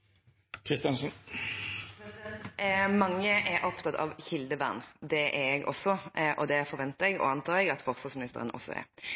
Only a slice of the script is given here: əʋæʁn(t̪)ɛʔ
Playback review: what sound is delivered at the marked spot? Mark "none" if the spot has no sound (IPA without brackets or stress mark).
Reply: d̪